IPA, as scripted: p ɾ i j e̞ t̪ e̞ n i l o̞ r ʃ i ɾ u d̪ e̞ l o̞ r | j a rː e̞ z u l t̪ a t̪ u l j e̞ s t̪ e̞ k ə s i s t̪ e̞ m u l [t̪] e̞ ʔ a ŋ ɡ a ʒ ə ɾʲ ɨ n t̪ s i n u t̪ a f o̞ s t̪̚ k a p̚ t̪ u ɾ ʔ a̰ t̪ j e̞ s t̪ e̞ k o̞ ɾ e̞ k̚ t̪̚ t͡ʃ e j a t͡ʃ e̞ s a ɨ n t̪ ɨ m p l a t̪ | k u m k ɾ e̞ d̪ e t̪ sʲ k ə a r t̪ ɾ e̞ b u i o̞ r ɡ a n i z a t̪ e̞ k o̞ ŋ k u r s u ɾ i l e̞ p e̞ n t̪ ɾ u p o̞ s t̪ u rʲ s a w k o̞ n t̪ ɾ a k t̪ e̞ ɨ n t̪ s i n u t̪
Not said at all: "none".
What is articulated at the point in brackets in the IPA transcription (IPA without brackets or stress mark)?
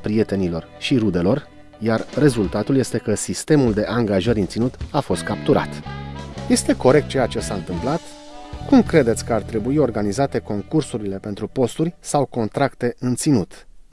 d̪